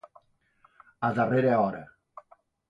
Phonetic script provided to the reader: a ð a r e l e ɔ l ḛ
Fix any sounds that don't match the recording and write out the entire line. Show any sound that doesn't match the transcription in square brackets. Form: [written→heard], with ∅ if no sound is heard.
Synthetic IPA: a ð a r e [l→ɾ] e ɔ [l→ɾ] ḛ